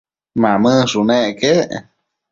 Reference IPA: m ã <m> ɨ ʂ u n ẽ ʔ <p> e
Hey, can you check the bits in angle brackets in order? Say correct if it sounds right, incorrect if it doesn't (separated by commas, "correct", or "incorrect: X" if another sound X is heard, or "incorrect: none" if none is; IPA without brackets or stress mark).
correct, incorrect: k